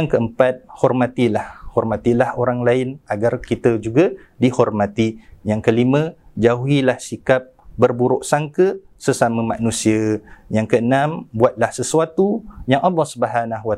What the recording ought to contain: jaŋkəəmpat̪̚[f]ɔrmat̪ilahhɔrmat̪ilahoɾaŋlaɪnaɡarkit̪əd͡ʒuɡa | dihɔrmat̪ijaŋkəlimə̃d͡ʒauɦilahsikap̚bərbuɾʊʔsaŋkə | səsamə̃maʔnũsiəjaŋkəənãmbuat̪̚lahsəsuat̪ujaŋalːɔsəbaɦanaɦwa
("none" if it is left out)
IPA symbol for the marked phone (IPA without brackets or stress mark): h